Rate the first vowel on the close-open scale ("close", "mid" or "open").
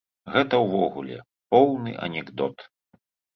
mid